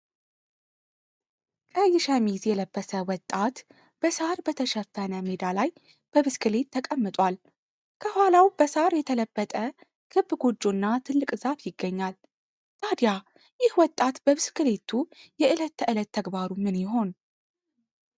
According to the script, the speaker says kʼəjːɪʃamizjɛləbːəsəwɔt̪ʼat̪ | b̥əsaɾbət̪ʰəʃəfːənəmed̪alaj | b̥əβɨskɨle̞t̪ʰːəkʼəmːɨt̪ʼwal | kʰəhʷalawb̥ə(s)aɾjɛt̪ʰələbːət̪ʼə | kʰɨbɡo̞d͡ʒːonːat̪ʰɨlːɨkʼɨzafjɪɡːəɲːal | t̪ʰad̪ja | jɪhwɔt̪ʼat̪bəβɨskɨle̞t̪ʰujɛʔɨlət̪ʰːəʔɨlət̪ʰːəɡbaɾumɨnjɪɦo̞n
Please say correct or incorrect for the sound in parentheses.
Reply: correct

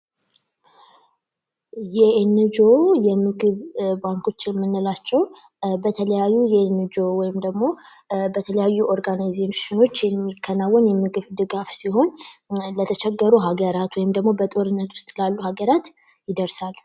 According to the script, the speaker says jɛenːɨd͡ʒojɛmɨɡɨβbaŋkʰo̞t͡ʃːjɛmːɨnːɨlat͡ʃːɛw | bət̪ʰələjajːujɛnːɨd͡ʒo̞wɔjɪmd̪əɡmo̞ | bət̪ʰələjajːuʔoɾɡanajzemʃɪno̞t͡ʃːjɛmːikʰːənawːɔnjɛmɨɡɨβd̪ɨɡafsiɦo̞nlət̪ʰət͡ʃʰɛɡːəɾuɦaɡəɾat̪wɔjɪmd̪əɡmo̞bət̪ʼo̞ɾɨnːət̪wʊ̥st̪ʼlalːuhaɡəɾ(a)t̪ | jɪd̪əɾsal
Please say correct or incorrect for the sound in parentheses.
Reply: correct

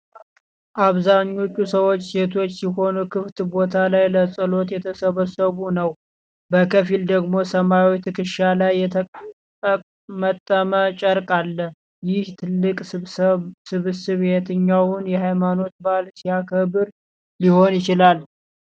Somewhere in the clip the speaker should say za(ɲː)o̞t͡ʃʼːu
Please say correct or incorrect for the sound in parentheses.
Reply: correct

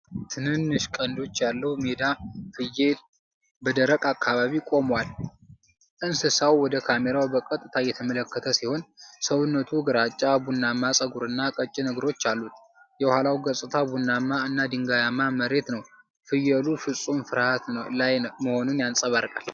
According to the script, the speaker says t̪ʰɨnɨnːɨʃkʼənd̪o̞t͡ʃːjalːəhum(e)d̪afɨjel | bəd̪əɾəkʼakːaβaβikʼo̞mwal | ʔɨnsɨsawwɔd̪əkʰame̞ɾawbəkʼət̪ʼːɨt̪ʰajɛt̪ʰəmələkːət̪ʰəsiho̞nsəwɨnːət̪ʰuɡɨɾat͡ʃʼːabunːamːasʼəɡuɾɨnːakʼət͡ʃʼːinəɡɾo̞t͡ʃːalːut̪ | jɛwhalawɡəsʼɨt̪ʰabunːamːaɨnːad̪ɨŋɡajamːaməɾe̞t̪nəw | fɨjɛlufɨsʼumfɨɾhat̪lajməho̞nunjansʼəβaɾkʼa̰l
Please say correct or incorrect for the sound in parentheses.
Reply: correct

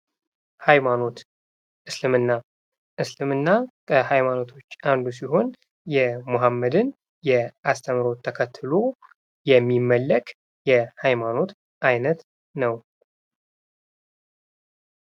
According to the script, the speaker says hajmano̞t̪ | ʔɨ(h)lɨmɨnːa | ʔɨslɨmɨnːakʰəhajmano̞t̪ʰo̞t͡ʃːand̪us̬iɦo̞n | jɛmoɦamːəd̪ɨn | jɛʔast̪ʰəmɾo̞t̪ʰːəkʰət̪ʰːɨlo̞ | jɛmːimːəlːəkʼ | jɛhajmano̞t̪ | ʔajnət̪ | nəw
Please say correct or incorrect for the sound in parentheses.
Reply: incorrect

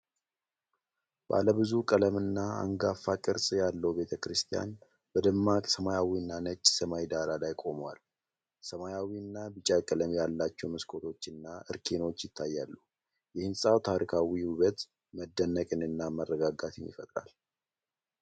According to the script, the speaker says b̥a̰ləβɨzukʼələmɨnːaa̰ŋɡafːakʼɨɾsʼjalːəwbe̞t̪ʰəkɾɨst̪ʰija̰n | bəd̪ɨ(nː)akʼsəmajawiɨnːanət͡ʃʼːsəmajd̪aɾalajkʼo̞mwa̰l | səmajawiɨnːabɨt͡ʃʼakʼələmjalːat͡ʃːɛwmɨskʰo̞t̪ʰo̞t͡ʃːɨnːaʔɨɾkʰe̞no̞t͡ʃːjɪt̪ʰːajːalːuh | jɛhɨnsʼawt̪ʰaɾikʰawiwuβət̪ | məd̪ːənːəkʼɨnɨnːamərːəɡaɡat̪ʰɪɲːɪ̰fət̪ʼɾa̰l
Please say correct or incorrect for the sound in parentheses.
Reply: incorrect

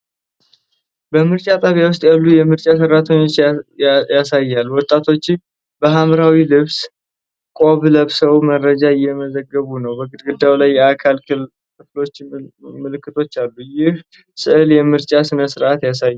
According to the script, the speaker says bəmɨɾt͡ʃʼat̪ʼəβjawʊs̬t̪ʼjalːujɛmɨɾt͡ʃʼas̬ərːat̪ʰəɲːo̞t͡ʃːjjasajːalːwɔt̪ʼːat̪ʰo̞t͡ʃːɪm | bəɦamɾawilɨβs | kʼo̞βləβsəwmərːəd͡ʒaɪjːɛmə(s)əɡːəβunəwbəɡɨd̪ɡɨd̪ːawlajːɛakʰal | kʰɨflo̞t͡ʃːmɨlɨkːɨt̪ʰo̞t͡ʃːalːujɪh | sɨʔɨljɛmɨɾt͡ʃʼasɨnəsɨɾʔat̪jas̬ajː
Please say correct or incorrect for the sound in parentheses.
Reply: incorrect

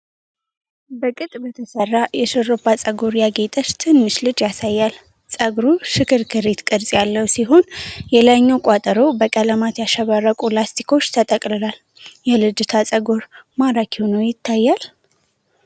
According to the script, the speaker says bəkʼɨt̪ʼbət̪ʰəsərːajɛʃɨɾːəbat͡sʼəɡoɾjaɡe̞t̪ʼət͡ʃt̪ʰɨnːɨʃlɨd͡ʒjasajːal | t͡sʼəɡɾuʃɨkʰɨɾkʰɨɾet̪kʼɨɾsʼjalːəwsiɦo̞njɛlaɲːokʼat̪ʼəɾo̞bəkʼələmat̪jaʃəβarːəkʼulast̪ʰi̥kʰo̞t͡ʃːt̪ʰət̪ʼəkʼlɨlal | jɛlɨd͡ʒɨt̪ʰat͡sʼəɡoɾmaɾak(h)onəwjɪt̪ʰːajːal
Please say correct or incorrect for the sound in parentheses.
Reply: correct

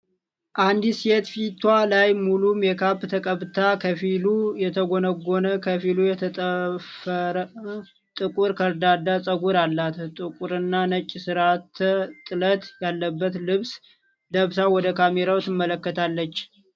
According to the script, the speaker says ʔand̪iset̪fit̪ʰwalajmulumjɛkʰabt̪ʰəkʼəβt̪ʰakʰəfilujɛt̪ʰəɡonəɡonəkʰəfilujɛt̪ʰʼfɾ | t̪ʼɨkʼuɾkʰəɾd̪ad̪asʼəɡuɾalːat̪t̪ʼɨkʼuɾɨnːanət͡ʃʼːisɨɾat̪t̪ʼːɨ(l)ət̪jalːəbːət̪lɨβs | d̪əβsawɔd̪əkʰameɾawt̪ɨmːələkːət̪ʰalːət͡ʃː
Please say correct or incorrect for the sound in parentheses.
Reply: correct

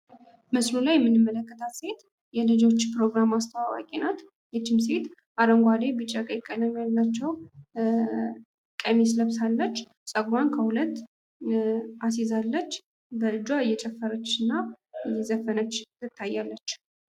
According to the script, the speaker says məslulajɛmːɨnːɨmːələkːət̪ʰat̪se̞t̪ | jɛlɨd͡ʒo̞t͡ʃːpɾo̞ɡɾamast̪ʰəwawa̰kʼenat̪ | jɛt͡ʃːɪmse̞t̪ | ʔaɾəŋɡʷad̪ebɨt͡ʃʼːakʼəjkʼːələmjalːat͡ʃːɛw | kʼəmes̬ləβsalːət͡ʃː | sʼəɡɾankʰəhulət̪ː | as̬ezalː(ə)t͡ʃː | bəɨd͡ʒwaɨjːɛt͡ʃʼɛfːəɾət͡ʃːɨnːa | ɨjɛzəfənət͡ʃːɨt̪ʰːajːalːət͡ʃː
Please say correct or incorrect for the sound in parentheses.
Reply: correct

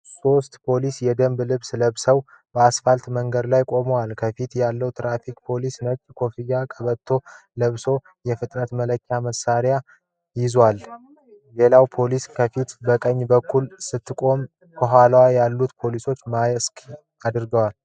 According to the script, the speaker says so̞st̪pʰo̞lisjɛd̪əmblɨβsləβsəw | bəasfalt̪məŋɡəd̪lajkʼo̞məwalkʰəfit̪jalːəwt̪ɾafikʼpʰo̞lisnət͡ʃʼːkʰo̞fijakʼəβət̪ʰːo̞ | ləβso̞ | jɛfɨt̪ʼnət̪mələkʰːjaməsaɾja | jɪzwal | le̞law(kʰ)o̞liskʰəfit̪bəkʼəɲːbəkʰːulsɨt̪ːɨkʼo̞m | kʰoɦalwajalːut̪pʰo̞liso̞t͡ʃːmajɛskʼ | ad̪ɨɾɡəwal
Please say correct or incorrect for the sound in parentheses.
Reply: incorrect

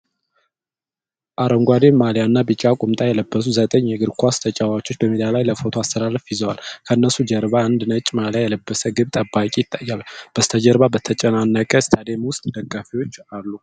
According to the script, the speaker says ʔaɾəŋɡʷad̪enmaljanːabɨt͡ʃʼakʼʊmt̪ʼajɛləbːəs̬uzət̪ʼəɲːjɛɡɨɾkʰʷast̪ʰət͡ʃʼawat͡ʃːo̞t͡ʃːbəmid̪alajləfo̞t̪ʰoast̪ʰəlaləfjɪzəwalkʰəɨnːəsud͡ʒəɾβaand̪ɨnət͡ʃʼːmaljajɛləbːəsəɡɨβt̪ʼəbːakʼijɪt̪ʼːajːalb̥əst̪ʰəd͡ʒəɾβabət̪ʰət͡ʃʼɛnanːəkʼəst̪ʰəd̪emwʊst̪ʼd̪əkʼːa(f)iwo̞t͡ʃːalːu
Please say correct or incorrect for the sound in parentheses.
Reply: correct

